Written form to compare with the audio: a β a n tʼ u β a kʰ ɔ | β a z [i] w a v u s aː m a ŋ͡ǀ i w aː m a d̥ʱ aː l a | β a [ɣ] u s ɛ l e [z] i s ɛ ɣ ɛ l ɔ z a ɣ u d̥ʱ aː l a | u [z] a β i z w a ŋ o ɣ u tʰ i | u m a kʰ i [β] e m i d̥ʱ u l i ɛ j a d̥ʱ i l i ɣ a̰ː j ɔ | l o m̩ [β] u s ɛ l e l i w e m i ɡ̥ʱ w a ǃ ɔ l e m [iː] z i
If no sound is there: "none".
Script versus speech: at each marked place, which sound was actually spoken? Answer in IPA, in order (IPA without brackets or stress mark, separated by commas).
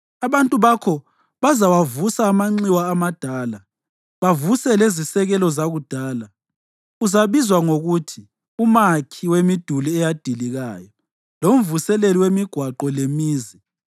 a, v, z, z, w, v, iː